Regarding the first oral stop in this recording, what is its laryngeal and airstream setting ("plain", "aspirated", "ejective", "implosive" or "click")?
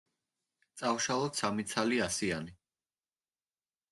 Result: plain